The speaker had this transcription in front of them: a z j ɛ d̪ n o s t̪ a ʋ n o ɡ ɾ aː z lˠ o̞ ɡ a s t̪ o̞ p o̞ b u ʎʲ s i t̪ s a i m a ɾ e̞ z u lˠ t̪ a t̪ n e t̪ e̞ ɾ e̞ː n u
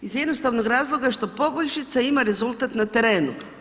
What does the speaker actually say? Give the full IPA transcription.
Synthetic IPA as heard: i z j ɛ d̪ n o s t̪ a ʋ n o ɡ ɾ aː z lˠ o̞ ɡ a ʃ t̪ o̞ p o̞ b o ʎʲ ʃ i t̪ s a i m a ɾ e̞ z u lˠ t̪ a t̪ n a t̪ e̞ ɾ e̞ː n u